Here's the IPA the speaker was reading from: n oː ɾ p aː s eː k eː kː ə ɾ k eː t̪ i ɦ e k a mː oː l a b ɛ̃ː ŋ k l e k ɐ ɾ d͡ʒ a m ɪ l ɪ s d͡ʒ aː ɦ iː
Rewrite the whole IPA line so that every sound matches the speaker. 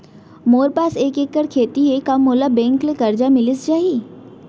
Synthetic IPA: m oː ɾ p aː s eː k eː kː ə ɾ kʰ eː t̪ i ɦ e k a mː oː l a b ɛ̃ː ŋ k l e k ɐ ɾ d͡ʒ a m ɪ l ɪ s d͡ʒ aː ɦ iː